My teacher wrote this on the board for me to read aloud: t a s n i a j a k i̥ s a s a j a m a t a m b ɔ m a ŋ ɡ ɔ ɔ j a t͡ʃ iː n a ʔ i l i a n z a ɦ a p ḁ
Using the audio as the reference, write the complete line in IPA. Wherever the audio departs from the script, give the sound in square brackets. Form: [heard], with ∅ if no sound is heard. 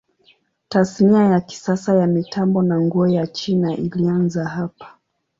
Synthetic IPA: t a s n i a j a k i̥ s a s a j a m [i] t a m b ɔ [n] a ŋ ɡ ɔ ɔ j a t͡ʃ [i] n a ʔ i l i a n z a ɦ a p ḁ